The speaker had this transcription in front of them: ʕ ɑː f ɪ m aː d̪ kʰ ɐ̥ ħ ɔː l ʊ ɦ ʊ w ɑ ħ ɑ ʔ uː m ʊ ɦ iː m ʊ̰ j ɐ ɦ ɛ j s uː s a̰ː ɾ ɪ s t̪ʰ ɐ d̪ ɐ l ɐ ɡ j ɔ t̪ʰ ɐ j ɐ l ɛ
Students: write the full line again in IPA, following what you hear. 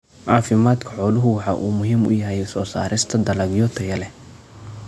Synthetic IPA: ʕ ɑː f ɪ m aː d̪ kʰ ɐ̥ ħ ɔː l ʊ ɦ ʊ w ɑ ħ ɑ ʔ uː m ʊ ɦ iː m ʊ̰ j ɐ ɦ ɛ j s ɔː s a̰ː ɾ ɪ s t̪ʰ ɐ d̪ ɐ l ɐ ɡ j ɔ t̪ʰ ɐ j ɐ l ɛ